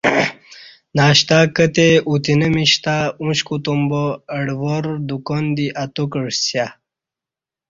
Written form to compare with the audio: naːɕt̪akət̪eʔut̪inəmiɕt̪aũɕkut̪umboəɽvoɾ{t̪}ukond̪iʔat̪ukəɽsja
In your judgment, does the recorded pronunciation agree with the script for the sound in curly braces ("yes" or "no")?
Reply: no